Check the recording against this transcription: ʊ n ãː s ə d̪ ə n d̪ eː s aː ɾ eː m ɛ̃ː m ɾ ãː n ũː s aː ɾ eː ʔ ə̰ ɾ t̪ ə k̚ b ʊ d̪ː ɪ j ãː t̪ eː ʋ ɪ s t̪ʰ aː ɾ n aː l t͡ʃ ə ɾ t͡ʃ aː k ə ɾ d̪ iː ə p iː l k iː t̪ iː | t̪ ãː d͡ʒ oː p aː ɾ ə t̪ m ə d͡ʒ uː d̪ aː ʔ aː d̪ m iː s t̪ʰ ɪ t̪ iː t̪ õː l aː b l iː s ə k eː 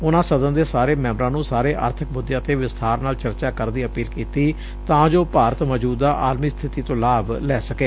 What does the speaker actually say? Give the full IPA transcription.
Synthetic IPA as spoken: ʊ n ãː s ə d̪ ə n d̪ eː s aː ɾ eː m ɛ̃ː m ɾ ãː n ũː s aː ɾ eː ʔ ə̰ ɾ t̪ʰ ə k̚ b ʊ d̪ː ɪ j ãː t̪ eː ʋ ɪ s t̪ʰ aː ɾ n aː l t͡ʃ ə ɾ t͡ʃ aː k ə ɾ d̪ iː ə p iː l k iː t̪ iː | t̪ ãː d͡ʒ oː p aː ɾ ə t̪ m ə d͡ʒ uː d̪ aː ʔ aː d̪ m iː s t̪ʰ ɪ t̪ iː t̪ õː l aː b l ɛː s ə k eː